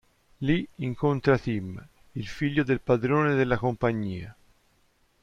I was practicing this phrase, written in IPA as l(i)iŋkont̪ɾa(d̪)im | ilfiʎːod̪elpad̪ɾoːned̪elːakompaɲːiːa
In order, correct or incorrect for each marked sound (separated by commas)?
correct, incorrect